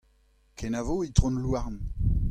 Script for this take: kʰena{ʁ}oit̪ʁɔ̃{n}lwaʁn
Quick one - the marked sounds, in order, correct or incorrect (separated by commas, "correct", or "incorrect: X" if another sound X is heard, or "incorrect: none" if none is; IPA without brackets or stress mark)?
incorrect: v, correct